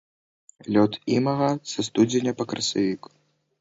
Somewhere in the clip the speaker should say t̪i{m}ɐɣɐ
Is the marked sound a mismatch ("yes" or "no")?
no